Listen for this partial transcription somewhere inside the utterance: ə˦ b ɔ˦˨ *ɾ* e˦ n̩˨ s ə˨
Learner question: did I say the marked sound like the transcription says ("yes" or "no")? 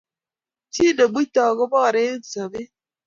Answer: yes